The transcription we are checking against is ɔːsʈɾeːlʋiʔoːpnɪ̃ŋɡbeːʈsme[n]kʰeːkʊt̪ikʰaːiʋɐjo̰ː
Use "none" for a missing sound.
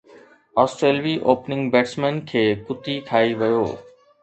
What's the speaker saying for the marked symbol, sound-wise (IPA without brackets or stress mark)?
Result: n